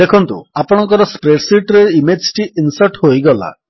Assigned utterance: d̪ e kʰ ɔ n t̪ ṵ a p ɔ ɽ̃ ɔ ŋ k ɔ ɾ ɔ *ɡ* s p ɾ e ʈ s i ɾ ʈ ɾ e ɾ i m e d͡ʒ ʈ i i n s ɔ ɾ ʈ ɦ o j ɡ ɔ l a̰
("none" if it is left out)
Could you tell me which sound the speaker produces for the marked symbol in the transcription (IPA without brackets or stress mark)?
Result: none